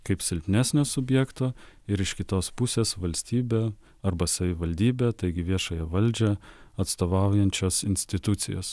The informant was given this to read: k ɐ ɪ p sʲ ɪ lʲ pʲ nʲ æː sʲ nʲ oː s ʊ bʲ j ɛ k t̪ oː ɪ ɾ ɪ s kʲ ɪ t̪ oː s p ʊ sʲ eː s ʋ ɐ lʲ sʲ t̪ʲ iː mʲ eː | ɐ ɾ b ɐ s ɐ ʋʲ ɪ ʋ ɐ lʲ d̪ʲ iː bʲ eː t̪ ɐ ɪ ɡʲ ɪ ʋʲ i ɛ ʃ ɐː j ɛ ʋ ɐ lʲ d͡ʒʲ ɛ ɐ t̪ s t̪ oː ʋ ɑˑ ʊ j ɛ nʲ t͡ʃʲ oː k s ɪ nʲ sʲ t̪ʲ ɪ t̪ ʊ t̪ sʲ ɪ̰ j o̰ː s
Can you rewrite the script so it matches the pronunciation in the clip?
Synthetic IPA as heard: k ɐ ɪ p sʲ ɪ lʲ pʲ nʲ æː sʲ nʲ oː s ʊ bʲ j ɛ k t̪ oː ɪ ɾ ɪ ʃ kʲ ɪ t̪ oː s p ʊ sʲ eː s ʋ ɐ lʲ sʲ t̪ʲ iː bʲ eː | ɐ ɾ b ɐ s ɐ ʋʲ ɪ ʋ ɐ lʲ d̪ʲ iː bʲ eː t̪ ɐ ɪ ɡʲ ɪ ʋʲ i ɛ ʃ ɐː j ɛ ʋ ɐ lʲ d͡ʒʲ ɛ ɐ t̪ s t̪ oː ʋ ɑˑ ʊ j ɛ nʲ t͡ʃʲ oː s ɪ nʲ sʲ t̪ʲ ɪ t̪ ʊ t̪ sʲ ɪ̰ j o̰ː s